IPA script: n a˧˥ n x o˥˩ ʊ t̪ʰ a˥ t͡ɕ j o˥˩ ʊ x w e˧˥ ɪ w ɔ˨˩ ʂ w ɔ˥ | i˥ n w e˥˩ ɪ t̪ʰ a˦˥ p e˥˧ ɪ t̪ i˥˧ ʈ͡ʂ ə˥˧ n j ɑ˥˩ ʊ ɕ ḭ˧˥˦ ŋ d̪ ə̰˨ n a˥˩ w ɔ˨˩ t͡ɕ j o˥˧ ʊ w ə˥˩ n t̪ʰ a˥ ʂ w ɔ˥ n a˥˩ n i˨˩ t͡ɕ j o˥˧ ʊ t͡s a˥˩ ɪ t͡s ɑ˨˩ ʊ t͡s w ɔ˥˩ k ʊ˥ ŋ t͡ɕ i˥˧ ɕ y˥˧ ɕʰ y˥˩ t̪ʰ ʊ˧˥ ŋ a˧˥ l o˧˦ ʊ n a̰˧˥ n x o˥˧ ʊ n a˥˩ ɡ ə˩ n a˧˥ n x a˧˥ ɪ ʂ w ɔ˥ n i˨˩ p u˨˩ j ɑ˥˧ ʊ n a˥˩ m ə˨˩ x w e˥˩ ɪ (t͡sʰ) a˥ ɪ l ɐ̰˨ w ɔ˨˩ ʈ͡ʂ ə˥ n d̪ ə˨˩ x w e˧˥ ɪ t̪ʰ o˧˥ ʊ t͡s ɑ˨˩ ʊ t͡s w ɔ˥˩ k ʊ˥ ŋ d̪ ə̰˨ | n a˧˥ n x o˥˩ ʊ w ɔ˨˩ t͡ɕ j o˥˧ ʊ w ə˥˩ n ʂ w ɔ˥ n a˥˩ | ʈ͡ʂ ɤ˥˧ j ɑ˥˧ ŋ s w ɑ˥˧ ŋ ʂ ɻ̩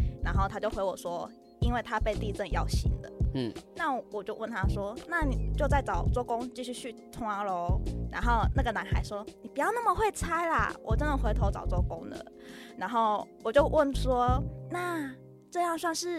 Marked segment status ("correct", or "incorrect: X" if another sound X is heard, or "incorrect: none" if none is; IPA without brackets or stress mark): correct